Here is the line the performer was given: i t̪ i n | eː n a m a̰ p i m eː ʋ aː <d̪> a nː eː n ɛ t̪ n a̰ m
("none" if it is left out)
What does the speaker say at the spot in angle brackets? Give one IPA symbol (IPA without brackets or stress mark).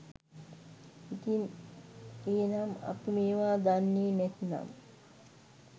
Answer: d̪